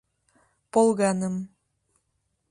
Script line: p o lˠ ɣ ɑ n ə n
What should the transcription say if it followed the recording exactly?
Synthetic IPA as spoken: p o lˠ ɣ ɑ n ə m